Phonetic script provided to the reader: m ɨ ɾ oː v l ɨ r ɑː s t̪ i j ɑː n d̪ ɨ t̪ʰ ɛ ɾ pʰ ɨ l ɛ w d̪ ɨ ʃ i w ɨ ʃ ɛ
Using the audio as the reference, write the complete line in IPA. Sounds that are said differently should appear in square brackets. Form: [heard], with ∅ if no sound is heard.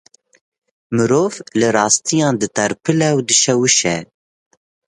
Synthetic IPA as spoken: m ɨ ɾ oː v l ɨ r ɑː s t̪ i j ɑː n d̪ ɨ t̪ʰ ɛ ɾ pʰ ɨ l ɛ w d̪ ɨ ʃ [ɛ] w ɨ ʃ ɛ